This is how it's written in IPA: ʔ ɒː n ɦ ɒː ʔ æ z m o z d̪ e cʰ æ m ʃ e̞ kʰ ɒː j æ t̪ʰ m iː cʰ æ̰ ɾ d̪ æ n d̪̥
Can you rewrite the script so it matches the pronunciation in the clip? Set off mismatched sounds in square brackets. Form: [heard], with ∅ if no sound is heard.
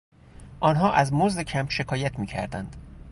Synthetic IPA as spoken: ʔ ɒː n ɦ ɒː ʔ æ z m o z d̪ e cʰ æ m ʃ e̞ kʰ ɒː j æ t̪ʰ m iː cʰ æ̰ ɾ d̪ æ n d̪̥